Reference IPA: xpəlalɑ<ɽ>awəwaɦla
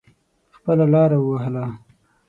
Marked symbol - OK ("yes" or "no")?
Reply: no